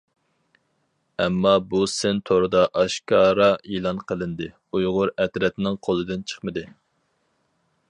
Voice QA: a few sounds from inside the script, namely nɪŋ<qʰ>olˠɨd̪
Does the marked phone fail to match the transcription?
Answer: no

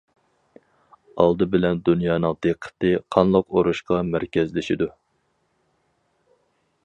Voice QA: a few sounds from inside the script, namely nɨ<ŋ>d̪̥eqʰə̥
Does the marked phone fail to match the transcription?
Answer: no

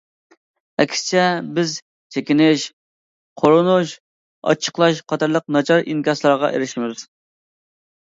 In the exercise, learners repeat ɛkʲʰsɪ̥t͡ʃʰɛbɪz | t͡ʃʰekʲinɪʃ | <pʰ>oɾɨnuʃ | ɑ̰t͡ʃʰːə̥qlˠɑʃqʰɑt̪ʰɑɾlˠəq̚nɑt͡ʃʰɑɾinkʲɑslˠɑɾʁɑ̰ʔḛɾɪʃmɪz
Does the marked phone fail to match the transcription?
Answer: yes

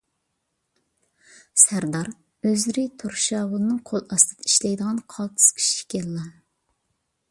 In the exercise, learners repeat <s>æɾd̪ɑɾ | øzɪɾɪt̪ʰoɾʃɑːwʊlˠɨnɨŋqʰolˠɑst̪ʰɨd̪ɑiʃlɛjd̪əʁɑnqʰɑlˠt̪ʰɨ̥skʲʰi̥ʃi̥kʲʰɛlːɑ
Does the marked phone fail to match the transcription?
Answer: no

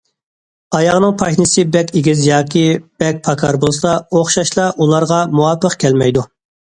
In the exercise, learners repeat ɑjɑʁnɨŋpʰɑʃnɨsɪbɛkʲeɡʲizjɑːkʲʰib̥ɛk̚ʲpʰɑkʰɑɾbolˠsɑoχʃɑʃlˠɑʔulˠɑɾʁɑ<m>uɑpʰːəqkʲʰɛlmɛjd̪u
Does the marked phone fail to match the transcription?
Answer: no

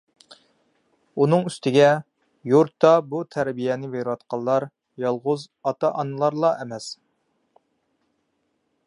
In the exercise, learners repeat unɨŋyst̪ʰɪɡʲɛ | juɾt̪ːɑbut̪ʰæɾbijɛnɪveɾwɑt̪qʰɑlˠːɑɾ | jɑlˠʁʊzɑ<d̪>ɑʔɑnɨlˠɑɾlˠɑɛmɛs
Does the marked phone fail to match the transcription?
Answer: yes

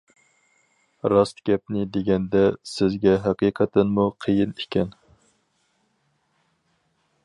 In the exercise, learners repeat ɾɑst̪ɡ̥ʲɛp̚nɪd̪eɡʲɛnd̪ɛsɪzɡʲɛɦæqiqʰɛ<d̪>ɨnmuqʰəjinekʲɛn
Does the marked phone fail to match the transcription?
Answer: yes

